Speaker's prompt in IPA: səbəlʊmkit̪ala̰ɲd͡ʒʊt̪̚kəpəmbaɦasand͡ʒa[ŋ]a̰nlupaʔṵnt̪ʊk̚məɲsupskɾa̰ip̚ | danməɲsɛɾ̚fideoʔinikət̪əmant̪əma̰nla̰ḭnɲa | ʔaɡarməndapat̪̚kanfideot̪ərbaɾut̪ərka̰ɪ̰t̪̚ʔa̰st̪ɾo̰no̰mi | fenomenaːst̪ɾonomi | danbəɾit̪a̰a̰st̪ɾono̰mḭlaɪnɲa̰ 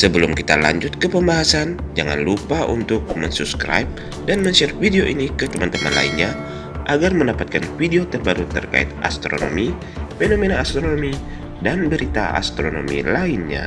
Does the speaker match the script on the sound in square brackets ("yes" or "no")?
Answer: yes